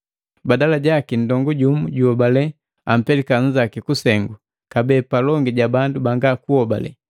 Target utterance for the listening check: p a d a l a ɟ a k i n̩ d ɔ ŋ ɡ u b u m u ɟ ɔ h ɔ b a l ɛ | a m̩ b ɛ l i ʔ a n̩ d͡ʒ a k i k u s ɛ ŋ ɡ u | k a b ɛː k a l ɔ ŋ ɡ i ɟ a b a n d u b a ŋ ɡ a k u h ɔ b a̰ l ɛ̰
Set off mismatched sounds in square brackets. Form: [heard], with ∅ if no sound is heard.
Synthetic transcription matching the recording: [b] a d a l a ɟ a k i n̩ d ɔ ŋ ɡ u [ɟ] u m u ɟ [u] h ɔ b a l ɛ | a m̩ [p] ɛ l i [k] a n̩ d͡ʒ a k i k u s ɛ ŋ ɡ u | k a b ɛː [p] a l ɔ ŋ ɡ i ɟ a b a n d u b a ŋ ɡ a k u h ɔ b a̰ l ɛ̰